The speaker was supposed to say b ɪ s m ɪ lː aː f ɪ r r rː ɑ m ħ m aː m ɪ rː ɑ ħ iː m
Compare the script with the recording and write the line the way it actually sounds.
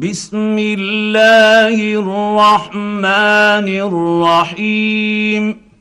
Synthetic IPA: b ɪ s m ɪ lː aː h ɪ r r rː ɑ ħ m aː n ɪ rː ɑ ħ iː m